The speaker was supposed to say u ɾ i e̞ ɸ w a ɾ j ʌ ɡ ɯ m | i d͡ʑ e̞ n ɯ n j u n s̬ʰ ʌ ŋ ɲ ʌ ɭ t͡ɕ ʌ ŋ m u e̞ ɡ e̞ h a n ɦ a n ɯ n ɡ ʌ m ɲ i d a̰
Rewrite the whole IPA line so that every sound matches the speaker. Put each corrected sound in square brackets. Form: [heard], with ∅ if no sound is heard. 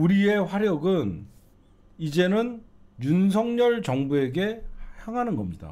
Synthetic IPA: u ɾ i e̞ ɸ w a ɾ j ʌ ɡ ɯ [n] | i d͡ʑ e̞ n ɯ n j u n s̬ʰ ʌ ŋ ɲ ʌ ɭ t͡ɕ ʌ ŋ [b] u e̞ ɡ e̞ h a [ŋ] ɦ a n ɯ n ɡ ʌ m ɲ i d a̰